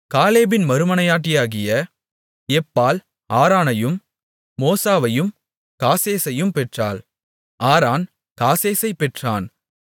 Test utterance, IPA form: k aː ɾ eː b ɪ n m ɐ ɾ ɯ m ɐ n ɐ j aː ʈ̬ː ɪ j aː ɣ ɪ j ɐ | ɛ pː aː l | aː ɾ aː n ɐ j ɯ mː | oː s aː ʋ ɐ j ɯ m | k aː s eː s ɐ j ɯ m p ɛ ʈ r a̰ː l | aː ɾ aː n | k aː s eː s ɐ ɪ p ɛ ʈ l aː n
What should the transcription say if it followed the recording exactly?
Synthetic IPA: k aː l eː b ɪ n m ɐ ɾ ɯ m ɐ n ɐ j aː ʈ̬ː ɪ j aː ɣ ɪ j ɐ | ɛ pː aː l | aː ɾ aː n ɐ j ɯ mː | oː s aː ʋ ɐ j ɯ m | k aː s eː s ɐ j ɯ m p ɛ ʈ r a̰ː l | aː ɾ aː n | k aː s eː s ɐ ɪ p ɛ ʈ r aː n